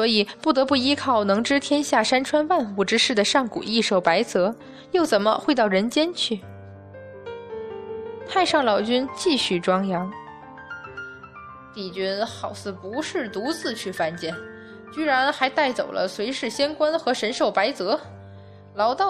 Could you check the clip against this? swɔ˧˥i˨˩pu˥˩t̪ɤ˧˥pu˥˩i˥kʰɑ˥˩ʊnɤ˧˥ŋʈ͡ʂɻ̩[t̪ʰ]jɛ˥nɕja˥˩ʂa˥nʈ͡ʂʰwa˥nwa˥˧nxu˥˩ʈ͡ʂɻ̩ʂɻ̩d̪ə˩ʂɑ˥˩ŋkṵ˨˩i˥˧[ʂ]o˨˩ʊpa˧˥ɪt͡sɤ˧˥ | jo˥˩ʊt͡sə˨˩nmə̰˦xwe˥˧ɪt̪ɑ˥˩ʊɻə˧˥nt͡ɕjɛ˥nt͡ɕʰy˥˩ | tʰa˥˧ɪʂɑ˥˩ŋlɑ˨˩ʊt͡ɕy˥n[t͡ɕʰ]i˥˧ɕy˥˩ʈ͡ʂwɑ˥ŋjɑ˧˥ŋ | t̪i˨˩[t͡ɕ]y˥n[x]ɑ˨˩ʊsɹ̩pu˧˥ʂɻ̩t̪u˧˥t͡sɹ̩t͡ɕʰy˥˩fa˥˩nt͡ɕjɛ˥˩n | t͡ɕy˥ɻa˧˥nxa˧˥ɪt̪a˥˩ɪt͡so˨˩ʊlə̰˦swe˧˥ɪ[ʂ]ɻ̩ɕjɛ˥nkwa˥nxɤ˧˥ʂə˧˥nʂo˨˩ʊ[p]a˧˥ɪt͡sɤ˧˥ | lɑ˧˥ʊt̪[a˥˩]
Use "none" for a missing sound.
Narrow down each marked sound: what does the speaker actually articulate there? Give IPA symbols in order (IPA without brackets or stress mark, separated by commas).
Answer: t̪ʰ, ʂ, t͡ɕ, t͡ɕ, x, ʂ, p, ɑ˥˩